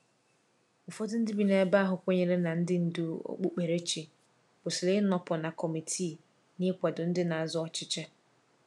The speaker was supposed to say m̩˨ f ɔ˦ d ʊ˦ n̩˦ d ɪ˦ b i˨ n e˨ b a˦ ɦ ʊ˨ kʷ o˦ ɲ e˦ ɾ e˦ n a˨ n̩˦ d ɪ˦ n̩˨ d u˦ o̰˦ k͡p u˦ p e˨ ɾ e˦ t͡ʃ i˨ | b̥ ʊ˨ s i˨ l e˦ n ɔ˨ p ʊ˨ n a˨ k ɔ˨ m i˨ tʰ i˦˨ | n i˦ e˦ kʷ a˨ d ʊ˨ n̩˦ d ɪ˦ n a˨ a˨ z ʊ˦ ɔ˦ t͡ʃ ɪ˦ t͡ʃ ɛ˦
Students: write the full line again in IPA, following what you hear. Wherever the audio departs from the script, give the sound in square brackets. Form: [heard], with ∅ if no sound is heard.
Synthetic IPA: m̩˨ f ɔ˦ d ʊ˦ n̩˦ d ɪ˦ b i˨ n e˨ b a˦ ɦ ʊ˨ kʷ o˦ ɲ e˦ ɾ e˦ n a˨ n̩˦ d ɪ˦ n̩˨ d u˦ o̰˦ k͡p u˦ [k͡p] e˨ ɾ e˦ t͡ʃ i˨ | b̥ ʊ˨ s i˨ l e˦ n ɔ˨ p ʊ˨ n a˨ k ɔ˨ m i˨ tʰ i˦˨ | n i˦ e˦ kʷ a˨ d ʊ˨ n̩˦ d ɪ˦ n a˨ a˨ z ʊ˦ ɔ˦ t͡ʃ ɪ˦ t͡ʃ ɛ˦